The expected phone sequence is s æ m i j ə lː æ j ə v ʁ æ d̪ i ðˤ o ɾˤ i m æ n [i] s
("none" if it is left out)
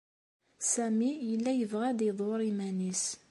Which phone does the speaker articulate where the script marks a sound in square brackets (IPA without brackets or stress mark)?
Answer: i